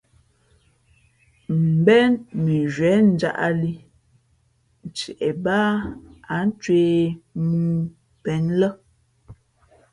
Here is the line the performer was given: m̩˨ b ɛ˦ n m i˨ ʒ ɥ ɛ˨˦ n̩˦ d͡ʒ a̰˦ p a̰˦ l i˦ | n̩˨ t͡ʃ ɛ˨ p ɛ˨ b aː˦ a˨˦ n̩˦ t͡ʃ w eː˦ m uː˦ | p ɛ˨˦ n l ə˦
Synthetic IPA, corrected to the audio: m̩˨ b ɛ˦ n m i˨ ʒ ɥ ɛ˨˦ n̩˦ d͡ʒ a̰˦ ʔ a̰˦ l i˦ | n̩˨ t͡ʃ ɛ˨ ʔ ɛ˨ b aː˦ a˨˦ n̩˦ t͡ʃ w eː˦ m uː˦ | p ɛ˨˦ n l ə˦